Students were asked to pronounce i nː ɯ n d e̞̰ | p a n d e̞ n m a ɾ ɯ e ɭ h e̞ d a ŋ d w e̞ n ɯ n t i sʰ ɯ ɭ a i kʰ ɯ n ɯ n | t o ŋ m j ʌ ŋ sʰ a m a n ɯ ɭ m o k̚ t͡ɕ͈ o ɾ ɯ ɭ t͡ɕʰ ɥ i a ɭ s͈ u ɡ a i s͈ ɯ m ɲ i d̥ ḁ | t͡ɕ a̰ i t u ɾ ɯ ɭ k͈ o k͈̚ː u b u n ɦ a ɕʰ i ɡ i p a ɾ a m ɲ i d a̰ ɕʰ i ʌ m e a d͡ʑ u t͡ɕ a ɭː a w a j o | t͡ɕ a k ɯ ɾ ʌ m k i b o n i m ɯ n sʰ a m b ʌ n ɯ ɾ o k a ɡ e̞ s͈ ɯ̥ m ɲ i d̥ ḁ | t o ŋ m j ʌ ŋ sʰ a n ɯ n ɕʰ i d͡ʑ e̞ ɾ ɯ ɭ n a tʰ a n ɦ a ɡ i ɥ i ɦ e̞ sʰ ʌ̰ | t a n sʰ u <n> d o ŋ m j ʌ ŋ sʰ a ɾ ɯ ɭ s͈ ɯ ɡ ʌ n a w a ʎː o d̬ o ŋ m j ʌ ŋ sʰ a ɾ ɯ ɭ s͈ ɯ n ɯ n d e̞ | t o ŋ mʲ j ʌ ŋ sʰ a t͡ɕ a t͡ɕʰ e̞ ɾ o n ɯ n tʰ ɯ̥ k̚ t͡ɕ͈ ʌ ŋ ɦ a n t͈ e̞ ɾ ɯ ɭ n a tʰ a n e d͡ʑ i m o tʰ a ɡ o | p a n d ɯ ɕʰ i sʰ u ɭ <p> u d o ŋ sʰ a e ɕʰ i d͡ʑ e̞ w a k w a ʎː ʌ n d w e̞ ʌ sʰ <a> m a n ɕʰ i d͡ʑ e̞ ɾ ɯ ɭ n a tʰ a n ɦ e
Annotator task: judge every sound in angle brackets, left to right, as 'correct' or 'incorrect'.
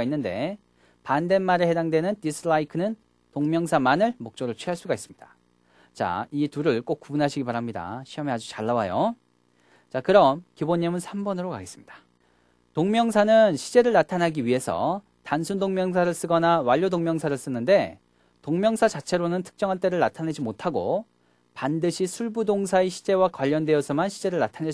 correct, incorrect: b, incorrect: ʌ

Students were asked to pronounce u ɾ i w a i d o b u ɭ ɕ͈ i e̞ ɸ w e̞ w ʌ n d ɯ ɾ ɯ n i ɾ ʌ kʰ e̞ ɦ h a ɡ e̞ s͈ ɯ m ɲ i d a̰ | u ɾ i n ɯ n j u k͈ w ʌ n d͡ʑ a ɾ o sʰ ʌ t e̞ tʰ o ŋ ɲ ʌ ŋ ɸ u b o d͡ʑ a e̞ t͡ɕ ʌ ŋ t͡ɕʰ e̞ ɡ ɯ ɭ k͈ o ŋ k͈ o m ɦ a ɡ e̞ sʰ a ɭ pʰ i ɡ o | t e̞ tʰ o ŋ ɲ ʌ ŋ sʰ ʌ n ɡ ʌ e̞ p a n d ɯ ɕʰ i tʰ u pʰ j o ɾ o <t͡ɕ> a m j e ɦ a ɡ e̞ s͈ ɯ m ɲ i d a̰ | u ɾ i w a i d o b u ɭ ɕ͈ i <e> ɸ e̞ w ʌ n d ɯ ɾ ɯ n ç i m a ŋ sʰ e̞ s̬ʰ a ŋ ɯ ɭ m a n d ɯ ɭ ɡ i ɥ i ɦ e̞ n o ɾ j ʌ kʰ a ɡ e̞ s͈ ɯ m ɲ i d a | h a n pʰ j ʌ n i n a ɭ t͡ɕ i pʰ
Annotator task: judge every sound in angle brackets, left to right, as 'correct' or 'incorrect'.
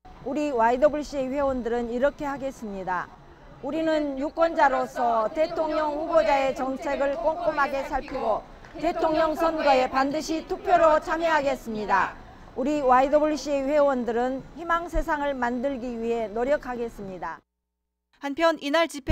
incorrect: t͡ɕʰ, correct

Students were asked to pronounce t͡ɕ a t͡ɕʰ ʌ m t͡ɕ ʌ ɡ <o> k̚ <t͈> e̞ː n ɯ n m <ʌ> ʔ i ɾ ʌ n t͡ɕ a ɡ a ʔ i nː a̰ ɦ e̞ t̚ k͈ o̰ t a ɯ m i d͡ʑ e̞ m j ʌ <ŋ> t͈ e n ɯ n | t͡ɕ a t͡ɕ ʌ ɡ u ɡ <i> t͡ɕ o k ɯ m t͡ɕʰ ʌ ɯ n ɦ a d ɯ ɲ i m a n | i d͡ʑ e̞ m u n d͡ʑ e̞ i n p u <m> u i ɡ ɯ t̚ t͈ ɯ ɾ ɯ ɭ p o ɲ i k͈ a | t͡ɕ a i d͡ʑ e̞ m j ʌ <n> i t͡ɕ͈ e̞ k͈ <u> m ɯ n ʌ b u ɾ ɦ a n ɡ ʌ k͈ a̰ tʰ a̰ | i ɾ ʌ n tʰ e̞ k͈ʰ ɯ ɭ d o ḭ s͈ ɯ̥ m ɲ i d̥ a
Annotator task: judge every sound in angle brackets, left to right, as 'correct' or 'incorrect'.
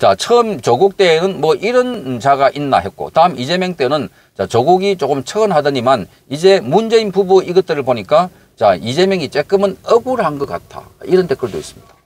incorrect: u, correct, correct, correct, correct, incorrect: b, incorrect: ŋ, incorrect: ɯ

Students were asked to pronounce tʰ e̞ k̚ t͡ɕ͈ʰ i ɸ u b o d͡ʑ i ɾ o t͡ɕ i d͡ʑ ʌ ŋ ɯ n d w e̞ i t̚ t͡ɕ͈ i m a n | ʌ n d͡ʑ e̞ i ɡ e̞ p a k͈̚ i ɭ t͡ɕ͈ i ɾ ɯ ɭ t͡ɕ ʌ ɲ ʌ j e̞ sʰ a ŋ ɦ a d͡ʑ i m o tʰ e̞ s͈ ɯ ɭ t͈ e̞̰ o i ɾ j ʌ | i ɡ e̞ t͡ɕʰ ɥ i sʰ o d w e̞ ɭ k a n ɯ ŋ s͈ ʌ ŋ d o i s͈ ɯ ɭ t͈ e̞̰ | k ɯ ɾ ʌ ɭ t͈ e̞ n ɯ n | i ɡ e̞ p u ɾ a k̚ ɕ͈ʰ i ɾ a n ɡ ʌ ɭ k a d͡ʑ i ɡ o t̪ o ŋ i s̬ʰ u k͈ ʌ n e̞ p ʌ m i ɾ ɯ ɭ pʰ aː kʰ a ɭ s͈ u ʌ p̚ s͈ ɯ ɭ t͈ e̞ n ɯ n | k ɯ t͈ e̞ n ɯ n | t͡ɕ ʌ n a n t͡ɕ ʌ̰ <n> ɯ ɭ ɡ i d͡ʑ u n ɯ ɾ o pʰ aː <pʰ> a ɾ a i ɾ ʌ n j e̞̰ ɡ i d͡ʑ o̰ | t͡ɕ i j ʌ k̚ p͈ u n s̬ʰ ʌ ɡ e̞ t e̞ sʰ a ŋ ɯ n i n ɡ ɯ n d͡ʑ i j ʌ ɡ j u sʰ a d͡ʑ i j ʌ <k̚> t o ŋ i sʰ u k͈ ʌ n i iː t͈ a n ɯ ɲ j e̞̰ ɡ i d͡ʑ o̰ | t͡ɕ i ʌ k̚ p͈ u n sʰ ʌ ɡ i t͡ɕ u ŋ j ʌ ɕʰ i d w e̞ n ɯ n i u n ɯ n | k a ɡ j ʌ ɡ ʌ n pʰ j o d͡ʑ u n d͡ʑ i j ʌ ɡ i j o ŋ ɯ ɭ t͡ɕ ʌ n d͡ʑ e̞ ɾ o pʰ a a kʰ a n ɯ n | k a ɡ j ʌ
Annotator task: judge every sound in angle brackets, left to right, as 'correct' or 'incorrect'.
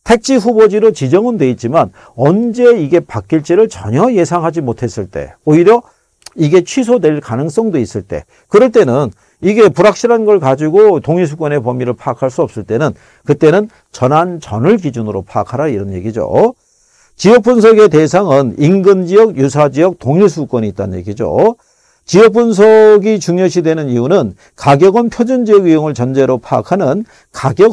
correct, incorrect: kʰ, correct

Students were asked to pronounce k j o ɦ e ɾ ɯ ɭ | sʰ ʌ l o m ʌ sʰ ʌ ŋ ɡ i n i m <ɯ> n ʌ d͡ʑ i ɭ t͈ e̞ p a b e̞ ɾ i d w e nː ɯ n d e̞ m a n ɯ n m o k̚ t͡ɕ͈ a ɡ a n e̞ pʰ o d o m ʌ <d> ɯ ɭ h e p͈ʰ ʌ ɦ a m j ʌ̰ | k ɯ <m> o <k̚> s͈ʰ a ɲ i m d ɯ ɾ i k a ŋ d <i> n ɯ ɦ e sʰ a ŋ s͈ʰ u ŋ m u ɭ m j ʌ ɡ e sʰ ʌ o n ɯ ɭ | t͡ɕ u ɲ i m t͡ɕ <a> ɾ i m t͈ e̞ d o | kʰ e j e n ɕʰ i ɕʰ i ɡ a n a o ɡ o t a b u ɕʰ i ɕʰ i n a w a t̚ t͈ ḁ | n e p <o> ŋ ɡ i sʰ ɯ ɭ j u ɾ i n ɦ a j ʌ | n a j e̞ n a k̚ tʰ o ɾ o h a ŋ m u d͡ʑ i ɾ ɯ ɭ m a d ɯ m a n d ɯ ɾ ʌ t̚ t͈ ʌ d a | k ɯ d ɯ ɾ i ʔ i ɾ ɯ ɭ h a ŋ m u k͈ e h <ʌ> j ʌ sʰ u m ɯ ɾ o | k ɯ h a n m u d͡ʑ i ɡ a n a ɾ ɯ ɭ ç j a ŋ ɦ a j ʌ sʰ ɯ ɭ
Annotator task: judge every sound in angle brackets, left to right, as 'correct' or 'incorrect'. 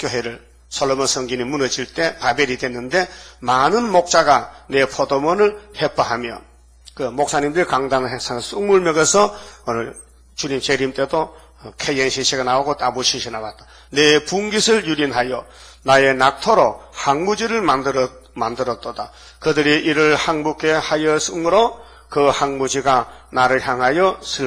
incorrect: u, incorrect: n, correct, correct, incorrect: a, incorrect: e, incorrect: u, incorrect: a

